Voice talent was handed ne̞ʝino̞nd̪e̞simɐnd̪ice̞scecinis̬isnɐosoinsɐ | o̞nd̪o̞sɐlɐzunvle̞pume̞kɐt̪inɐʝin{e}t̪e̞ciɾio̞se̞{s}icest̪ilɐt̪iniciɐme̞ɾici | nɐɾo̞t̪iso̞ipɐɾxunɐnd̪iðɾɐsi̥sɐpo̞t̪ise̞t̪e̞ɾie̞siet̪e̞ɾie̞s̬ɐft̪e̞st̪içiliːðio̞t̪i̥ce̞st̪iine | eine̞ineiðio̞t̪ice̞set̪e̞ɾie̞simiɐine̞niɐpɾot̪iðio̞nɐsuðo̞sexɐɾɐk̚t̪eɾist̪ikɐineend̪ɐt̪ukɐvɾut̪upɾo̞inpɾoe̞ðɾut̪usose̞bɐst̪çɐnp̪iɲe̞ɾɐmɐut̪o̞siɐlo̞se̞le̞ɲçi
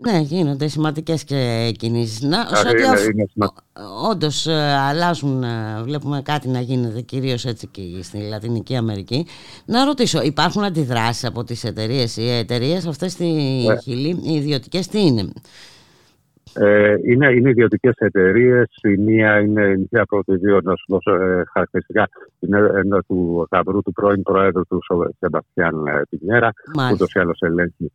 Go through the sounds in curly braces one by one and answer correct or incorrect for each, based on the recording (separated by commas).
correct, incorrect